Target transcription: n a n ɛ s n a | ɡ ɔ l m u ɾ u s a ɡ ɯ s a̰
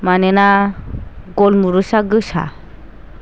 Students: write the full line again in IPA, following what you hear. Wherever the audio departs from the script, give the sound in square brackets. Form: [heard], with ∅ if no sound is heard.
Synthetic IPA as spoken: [m] a n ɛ [∅] n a | ɡ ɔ l m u ɾ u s a ɡ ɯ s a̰